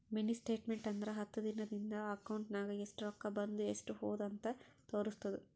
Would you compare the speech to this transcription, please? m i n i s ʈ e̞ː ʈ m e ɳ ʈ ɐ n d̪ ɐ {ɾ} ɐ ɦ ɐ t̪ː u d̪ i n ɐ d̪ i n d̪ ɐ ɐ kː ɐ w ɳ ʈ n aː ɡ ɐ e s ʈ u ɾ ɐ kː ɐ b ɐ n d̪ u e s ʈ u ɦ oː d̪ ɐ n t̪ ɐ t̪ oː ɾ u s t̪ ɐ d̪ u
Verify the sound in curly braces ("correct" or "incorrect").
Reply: correct